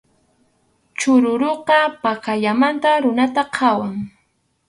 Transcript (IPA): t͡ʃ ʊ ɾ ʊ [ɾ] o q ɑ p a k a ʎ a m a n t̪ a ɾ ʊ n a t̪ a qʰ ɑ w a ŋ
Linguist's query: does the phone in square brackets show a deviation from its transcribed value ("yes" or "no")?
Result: no